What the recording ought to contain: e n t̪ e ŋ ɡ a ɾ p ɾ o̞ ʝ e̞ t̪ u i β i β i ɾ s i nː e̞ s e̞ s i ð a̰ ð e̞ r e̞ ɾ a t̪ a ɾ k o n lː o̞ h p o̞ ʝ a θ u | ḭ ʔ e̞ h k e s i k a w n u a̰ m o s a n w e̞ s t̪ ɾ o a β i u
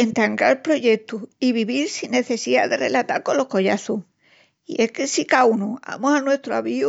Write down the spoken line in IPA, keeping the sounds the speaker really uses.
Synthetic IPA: e n t̪ a ŋ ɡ a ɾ p ɾ o̞ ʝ e̞ t̪ u i β i β i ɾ s i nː e̞ θ e̞ s i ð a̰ ð e̞ r e̞ l a t̪ a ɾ k o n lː o̞ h k o̞ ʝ a θ u | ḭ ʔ e̞ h k e s i k a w n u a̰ m o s a n w e̞ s t̪ ɾ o a β i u